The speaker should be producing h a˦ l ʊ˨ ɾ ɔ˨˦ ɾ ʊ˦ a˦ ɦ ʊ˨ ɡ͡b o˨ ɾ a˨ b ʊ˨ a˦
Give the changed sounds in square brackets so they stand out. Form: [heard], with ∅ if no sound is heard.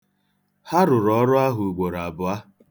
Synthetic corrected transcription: h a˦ [ɾ] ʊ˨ ɾ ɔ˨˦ ɾ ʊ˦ a˦ ɦ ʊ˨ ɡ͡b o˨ ɾ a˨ b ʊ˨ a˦